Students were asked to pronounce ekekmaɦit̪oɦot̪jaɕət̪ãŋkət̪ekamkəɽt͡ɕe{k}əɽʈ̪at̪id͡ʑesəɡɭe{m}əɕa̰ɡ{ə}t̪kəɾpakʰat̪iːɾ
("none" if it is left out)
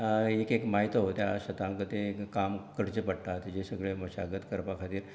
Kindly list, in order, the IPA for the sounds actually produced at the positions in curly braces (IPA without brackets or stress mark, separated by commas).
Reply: p, m, ə